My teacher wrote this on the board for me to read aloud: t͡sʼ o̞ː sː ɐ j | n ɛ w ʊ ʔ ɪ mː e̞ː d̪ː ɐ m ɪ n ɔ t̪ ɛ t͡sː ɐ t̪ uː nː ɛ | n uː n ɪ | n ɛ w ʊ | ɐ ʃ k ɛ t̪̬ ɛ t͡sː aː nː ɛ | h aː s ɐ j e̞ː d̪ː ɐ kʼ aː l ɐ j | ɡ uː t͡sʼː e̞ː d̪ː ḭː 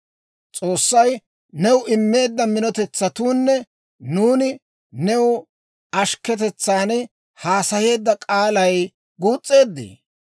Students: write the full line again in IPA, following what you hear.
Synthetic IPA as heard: t͡sʼ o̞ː sː ɐ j | n ɛ w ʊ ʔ ɪ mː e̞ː d̪ː ɐ m ɪ n ɔ t̪ ɛ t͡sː ɐ t̪ uː nː ɛ | n uː n ɪ | n ɛ w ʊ | ɐ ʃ k ɛ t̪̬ ɛ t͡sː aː n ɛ | h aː s ɐ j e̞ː d̪ː ɐ kʼ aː l ɐ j | ɡ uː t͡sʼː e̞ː d̪ː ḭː